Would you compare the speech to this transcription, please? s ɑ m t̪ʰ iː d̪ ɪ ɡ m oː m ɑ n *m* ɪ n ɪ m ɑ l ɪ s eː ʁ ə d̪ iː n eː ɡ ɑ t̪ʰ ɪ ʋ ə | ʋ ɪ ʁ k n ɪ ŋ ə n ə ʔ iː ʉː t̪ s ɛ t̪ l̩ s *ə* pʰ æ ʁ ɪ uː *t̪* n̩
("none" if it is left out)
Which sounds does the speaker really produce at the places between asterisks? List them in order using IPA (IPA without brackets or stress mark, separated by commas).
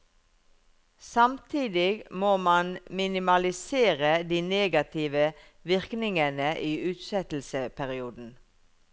m, ə, d̪